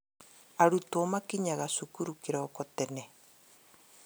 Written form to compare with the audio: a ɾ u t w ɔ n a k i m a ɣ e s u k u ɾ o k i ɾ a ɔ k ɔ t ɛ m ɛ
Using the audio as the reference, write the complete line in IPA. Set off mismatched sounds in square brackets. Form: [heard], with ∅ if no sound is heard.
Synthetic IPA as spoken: a ɾ u t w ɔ [m] a k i [ɲ] a ɣ [a] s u k u ɾ [u] k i ɾ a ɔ k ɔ t ɛ [n] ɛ

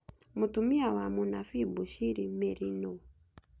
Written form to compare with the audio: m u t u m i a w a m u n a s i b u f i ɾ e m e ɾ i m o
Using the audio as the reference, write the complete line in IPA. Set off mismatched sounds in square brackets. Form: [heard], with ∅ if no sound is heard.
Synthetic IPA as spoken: m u t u m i a w a m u n a [f] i b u [ʃ] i ɾ [i] m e ɾ i [n] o

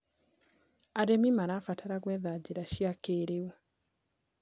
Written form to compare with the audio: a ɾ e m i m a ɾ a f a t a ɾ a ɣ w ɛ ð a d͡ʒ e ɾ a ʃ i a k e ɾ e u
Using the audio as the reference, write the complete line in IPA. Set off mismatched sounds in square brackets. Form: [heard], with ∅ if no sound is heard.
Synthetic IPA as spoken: a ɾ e m i m a ɾ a f a t a ɾ a ɣ w ɛ ð a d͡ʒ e ɾ a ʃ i a k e ɾ e u

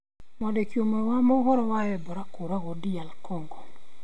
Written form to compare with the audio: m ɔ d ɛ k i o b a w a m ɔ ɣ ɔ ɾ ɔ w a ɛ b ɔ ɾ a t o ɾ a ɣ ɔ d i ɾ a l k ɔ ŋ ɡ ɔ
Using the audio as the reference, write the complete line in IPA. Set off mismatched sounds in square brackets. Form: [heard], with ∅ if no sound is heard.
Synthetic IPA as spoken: m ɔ d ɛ k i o [m] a w a m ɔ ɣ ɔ ɾ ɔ w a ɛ b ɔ ɾ a [k] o ɾ a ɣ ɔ d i [∅] a l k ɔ ŋ ɡ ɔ

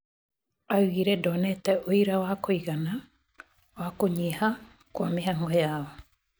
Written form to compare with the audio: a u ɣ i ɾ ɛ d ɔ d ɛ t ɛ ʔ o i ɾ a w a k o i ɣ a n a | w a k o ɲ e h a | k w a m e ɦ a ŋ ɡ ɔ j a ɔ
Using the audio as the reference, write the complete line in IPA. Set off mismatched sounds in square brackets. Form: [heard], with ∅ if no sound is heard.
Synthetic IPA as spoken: a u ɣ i ɾ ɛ d ɔ [n] ɛ t ɛ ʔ o i ɾ a w a k o i ɣ a n a | w a k o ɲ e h a | k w a m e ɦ a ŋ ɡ ɔ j a ɔ

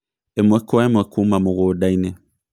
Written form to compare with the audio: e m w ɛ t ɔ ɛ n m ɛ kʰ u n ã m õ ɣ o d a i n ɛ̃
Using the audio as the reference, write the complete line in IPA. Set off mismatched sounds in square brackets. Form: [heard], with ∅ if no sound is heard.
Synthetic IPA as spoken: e m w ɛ [k] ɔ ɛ [∅] m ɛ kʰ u [m] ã m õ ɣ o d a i n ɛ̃

